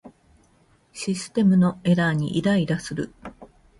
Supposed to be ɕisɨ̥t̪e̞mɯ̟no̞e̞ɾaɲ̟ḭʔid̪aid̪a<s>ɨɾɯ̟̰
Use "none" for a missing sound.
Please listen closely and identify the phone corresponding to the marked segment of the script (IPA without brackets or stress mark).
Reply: s